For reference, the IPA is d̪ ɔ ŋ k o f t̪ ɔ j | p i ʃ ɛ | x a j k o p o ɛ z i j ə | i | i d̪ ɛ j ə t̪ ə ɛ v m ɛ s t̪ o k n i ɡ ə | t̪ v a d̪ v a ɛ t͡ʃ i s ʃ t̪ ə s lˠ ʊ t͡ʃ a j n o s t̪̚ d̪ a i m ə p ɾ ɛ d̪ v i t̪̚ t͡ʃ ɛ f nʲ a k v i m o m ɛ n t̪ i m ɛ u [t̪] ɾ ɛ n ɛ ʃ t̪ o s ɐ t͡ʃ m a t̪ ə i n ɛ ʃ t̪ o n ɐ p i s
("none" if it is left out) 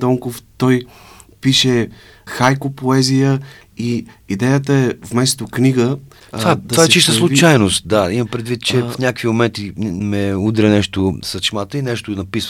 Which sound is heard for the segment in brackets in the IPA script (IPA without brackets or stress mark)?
d̪